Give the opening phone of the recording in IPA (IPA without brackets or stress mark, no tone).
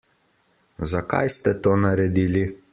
z